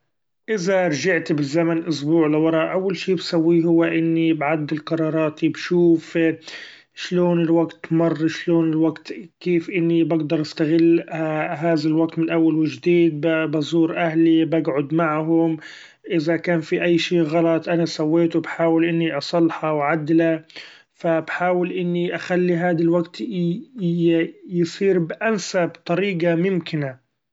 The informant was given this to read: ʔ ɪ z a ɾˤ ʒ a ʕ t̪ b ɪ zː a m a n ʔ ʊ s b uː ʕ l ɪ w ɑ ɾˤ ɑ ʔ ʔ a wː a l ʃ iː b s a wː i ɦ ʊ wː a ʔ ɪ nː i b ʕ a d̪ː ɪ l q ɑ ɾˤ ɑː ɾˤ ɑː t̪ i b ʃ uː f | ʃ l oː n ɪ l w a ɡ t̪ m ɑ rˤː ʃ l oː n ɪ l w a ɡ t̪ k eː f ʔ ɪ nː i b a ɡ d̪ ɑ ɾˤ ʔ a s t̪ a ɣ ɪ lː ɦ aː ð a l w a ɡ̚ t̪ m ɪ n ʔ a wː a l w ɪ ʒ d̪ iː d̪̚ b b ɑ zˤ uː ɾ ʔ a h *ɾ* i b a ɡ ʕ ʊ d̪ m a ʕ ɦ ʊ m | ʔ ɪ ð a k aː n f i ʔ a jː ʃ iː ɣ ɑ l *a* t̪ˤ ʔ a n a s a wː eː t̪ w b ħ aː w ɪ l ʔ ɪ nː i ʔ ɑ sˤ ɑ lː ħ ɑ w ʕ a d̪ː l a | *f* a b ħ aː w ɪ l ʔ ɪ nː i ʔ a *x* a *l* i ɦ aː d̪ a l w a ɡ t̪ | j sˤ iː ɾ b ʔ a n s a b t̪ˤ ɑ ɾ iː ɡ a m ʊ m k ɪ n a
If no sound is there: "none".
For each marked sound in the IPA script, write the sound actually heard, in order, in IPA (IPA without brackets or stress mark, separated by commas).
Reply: l, ɑ, f, x, lː